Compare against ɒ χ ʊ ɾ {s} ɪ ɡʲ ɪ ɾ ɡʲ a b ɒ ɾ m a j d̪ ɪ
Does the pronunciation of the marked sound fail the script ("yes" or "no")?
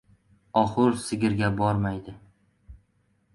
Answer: no